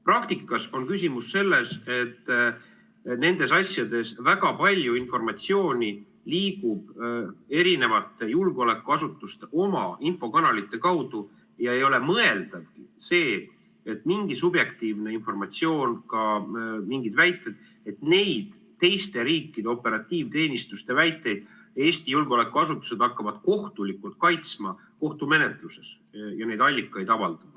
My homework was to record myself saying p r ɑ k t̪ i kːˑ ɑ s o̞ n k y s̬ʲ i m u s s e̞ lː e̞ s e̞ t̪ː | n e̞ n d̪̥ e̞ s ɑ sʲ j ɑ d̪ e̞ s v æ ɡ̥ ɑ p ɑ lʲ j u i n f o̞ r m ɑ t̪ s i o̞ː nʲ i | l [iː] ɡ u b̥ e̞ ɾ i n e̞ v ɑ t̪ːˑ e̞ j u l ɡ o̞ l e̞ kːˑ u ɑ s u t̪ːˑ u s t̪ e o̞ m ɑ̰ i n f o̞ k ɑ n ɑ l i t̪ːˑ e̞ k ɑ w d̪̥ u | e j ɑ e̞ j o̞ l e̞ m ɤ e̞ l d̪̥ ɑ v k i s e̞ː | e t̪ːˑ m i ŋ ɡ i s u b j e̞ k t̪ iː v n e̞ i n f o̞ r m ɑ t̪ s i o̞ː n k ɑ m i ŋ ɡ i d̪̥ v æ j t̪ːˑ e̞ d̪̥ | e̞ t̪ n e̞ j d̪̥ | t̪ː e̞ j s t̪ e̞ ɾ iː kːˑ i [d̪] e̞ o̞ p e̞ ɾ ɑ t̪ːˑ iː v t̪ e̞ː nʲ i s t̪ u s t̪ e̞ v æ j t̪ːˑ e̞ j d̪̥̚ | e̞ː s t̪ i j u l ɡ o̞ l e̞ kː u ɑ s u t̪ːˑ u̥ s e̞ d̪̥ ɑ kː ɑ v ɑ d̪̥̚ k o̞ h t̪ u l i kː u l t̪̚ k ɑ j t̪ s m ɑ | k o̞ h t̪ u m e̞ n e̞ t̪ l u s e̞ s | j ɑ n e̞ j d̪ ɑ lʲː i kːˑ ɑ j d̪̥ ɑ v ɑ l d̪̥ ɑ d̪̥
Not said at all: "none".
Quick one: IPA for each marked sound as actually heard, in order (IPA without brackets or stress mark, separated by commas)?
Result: iː, d̪